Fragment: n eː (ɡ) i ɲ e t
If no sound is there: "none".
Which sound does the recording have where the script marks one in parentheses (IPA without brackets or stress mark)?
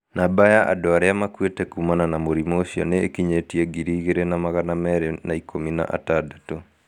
k